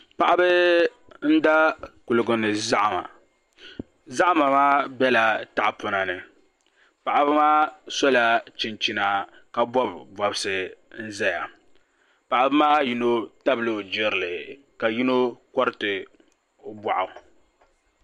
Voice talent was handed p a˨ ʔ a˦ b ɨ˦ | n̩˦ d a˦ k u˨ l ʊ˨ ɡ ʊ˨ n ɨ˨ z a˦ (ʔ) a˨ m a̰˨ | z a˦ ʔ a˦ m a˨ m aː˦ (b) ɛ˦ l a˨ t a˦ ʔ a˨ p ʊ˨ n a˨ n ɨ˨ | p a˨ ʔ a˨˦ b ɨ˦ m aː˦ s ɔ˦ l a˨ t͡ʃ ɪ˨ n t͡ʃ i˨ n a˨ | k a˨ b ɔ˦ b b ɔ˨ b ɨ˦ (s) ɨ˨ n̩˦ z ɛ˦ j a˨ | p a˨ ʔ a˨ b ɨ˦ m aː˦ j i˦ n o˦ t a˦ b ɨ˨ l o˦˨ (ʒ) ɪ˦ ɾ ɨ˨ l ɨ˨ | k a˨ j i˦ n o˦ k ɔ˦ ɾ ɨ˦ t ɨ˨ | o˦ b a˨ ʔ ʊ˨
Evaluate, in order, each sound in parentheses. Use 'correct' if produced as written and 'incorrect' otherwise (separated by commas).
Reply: correct, correct, correct, incorrect